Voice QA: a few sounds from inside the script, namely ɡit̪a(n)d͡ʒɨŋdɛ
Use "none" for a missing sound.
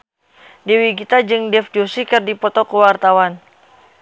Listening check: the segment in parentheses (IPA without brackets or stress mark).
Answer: none